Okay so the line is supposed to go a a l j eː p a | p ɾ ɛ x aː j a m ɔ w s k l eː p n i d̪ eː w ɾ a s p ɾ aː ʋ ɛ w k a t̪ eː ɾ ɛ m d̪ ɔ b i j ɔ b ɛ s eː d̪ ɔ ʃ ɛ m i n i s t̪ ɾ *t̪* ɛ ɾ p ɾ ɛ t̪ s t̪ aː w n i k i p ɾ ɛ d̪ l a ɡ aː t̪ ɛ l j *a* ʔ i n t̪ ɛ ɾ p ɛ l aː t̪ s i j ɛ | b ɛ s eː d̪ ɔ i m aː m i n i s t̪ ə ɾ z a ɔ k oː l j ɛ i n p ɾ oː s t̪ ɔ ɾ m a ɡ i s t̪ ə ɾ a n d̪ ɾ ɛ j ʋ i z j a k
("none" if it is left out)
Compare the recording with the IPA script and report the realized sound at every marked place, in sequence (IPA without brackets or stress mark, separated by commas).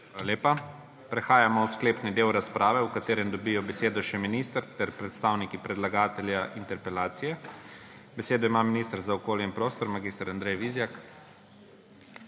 t̪, a